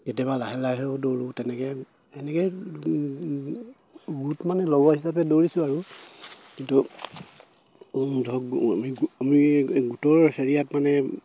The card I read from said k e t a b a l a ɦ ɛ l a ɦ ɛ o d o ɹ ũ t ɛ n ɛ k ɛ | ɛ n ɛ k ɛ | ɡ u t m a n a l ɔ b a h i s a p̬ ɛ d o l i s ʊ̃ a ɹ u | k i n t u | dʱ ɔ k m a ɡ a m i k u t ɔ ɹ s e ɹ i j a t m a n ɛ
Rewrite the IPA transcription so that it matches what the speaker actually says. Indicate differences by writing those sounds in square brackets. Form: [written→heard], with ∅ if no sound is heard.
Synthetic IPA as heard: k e t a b a l a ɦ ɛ l a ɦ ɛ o d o ɹ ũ t ɛ n ɛ k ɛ | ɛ n ɛ k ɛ | ɡ u t m a n [a→ɛ] l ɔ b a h i s a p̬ ɛ d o [l→ɹ] i s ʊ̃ a ɹ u | k i n t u | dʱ ɔ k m [a→i] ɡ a m i [k→ɡ] u t ɔ ɹ s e ɹ i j a t m a n ɛ